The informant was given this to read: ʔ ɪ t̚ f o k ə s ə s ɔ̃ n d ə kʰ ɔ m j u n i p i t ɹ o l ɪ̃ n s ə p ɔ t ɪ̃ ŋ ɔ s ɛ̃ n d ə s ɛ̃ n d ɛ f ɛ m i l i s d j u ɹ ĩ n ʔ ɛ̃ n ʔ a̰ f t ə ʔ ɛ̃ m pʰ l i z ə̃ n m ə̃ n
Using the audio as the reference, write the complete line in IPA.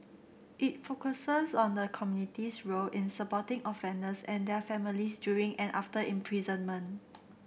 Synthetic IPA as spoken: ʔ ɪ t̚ f o k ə s ə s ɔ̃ n d ə kʰ ɔ m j u n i t i s ɹ o l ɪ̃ n s ə p ɔ t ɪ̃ ŋ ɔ f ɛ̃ n d ə s ɛ̃ n d ɛ f ɛ m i l i s d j u ɹ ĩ ŋ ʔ ɛ̃ n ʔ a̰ f t ə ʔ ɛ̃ m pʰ ɹ i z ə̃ n m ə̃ n